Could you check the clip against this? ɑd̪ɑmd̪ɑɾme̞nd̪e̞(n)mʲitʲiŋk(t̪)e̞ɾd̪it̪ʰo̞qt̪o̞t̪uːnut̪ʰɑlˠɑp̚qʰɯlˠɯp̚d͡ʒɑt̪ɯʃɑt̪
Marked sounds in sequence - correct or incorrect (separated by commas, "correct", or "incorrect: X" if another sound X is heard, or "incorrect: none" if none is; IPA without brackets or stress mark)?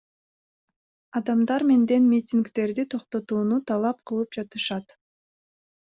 correct, correct